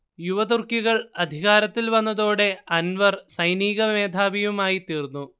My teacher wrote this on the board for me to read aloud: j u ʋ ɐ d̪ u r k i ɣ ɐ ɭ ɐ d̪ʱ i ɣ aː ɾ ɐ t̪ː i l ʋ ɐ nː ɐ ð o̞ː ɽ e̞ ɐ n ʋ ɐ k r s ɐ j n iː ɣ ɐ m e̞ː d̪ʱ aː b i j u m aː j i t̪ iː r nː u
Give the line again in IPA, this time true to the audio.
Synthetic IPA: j u ʋ ɐ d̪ u r k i ɣ ɐ ɭ ɐ d̪ʱ i ɣ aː ɾ ɐ t̪ː i l ʋ ɐ nː ɐ ð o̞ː ɽ e̞ ɐ n ʋ ɐ r s ɐ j n iː ɣ ɐ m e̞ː d̪ʱ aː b i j u m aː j i t̪ iː r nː u